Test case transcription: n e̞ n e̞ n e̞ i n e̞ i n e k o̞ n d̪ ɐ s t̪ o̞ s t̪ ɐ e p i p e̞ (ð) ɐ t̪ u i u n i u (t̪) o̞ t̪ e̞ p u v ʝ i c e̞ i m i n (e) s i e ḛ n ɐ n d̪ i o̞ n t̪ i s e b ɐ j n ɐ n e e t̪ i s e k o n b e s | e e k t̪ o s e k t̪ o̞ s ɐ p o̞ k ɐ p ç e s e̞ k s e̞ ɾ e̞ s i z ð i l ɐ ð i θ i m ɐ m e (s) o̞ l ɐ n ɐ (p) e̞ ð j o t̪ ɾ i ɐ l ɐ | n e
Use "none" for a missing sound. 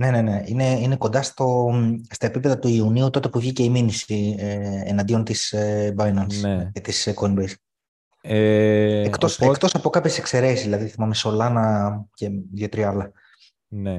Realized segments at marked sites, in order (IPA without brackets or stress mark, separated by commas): ð, t̪, i, s, c